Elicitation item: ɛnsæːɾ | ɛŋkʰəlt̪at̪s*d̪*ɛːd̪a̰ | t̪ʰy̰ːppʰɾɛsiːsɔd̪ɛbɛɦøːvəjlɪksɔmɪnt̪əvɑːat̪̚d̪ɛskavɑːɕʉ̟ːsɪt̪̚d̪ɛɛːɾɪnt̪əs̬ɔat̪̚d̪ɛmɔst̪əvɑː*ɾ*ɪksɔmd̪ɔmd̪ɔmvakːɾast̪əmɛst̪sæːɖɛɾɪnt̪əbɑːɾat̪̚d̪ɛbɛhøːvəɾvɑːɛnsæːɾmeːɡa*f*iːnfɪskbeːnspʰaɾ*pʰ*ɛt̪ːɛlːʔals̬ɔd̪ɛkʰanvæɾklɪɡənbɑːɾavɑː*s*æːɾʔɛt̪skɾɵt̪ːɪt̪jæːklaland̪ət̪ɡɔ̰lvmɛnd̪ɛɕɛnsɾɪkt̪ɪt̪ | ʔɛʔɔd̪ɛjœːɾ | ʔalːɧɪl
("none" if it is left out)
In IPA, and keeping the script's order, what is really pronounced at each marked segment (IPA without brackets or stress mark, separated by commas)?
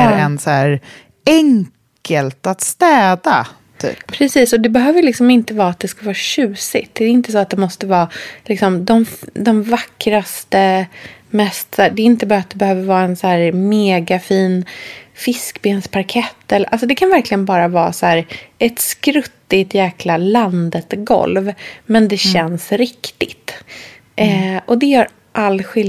t̪, l, f, kʰ, s